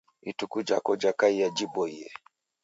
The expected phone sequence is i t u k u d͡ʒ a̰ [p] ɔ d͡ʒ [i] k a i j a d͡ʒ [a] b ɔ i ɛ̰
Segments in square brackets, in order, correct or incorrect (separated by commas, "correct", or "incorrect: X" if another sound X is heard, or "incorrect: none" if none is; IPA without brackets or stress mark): incorrect: k, incorrect: a, incorrect: i